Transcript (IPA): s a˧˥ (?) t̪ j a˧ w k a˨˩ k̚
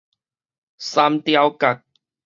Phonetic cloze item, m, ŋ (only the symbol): m